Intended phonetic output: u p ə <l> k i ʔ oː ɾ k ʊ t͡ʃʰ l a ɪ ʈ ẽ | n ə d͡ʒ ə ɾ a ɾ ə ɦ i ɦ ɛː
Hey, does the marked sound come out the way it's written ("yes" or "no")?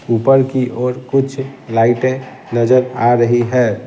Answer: no